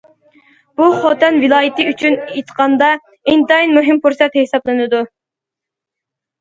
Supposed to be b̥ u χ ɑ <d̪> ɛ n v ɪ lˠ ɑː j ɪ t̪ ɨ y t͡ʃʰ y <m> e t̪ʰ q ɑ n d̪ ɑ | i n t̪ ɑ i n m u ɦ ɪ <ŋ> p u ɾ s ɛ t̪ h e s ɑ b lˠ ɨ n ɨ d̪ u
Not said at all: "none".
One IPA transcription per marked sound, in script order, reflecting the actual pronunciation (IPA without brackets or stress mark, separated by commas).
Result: t̪, n, m